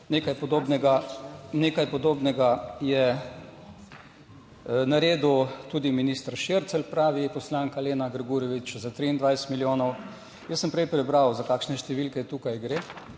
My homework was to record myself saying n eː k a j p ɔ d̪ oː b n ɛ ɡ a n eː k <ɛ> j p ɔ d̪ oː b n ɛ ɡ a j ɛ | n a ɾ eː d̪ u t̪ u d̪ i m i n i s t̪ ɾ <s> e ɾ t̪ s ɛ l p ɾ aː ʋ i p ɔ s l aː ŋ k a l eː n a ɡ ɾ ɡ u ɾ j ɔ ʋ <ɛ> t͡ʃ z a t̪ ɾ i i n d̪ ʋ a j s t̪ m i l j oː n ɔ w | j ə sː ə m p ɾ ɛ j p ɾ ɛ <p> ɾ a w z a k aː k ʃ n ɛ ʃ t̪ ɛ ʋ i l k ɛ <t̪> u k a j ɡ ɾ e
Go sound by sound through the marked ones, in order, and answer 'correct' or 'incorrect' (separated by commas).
incorrect, incorrect, incorrect, incorrect, correct